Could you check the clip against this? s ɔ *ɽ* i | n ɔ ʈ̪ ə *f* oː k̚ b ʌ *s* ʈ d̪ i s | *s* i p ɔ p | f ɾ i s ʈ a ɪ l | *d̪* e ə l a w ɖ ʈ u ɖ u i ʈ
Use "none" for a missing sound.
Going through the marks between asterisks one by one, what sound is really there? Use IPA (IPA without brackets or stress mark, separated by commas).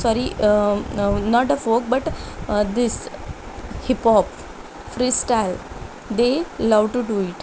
ɾ, f, none, h, d̪